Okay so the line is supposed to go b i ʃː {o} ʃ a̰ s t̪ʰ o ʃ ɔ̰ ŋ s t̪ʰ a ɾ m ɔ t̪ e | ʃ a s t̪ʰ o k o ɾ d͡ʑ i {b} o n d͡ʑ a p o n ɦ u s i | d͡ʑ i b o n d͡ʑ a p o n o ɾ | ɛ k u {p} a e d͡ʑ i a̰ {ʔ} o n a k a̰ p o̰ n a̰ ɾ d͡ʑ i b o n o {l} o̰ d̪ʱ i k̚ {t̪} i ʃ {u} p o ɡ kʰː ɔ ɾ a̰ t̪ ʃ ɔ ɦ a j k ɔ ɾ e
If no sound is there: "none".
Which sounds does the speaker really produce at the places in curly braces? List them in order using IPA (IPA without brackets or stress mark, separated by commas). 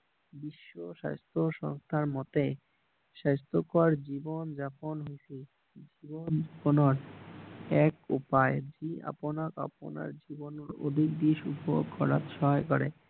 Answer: o, b, p, p, ɾ, d̪, u